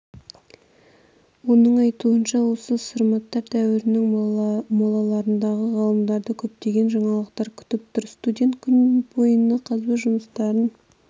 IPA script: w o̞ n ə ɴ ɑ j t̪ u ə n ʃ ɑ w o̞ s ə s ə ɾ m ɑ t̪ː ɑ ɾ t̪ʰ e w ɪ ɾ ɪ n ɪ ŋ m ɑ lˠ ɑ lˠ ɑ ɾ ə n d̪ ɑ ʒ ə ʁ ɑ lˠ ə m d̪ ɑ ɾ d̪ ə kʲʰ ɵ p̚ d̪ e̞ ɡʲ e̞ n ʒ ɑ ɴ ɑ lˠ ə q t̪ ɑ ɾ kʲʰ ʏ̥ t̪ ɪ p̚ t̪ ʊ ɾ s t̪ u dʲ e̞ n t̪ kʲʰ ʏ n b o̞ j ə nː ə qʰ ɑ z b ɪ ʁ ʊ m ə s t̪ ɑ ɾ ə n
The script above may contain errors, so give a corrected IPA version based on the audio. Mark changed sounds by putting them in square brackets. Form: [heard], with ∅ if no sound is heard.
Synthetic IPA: w o̞ n ə ɴ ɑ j t̪ u ə n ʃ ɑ w o̞ s ə s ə ɾ m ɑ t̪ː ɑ ɾ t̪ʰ [æ] w ɪ ɾ ɪ n ɪ ŋ m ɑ lˠ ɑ lˠ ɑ ɾ ə n d̪ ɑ [ʁ] ə ʁ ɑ lˠ ə m d̪ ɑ ɾ d̪ ə kʲʰ ɵ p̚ [t̪] e̞ ɡʲ e̞ n ʒ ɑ ɴ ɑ lˠ ə q t̪ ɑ ɾ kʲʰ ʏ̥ t̪ ɪ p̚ t̪ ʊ ɾ s t̪ u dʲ e̞ n t̪ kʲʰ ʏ n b o̞ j ə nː ə qʰ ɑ z b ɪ [ʒ] ʊ m ə s t̪ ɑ ɾ ə n